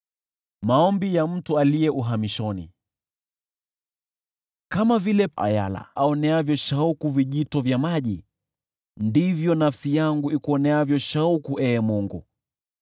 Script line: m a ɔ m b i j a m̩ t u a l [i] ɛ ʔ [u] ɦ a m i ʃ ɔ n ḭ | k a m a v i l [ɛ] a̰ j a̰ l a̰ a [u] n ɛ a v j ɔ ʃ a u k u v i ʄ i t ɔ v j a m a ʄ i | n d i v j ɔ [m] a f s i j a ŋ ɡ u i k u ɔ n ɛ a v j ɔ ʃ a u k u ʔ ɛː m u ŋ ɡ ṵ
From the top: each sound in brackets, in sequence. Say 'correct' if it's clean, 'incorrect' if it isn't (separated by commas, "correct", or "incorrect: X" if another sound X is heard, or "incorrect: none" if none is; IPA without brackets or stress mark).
correct, correct, correct, incorrect: ɔ, incorrect: n